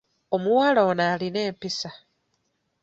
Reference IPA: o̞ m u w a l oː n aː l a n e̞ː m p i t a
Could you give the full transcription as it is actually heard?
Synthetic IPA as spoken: o̞ m u w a l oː n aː l i n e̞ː m p i s a

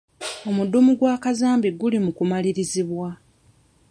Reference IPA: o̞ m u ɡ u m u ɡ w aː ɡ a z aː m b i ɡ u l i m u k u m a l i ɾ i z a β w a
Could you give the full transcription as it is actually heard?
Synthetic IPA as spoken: o̞ m u d u m u ɡ w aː k a z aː m b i ɡ u l i m u k u m a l i ɾ i z i β w a

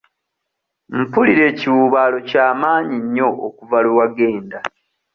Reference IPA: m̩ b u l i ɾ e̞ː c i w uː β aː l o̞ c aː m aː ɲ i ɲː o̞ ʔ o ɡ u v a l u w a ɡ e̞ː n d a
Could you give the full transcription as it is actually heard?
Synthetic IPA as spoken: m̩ p u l i ɾ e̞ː c i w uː β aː l o̞ c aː m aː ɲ i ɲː o̞ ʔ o k u v a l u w a ɡ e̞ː n d a

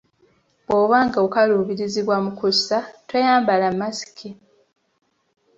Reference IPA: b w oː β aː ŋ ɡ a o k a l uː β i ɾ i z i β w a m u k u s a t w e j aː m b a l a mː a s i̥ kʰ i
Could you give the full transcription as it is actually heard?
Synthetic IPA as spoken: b w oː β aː ŋ ɡ a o k a l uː β i ɾ i z i β w a m u k u s a t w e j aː m b a l a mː a s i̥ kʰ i

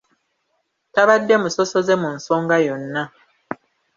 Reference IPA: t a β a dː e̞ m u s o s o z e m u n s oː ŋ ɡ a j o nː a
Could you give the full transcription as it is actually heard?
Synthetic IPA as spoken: t a β a dː e̞ m u s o s o z e m u n s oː ŋ ɡ a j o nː a

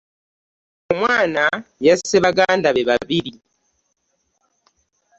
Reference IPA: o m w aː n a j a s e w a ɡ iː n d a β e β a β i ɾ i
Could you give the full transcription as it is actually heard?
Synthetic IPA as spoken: o m w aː n a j a s e β a ɡ aː n d a β e β a β i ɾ i

